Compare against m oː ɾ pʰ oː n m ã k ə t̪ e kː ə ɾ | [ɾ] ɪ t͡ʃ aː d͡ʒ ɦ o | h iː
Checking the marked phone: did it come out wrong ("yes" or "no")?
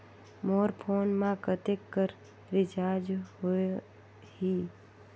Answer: no